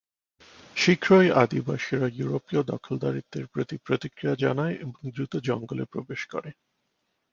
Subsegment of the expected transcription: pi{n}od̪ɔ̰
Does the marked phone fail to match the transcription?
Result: yes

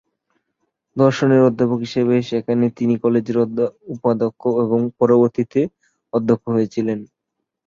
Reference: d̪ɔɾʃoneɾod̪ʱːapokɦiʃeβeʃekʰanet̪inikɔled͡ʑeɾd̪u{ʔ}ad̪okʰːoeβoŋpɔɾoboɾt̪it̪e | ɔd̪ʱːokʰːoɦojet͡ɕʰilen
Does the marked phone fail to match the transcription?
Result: yes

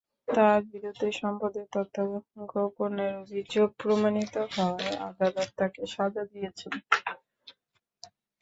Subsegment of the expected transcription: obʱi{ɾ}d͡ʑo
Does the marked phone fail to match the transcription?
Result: yes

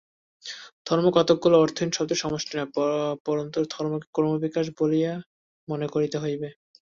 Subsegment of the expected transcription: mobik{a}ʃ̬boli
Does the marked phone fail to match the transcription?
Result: no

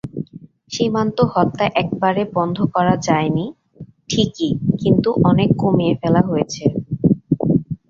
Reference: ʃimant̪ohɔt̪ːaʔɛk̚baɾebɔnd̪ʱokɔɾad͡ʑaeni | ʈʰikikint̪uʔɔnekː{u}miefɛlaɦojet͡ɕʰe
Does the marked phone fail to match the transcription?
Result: yes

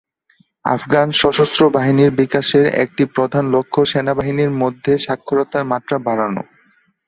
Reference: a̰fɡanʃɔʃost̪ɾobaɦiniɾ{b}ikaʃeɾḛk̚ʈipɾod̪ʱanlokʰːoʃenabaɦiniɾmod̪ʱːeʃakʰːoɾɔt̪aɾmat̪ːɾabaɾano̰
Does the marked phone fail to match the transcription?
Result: no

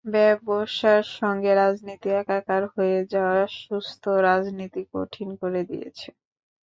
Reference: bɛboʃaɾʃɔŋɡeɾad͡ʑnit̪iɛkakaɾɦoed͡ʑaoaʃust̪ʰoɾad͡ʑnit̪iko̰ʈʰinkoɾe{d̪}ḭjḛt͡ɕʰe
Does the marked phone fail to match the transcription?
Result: no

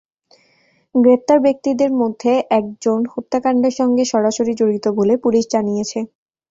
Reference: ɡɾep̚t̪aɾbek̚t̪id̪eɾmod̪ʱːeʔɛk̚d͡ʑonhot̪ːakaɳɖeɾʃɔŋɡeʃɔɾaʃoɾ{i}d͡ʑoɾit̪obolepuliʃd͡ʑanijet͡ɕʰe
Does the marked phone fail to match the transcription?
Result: no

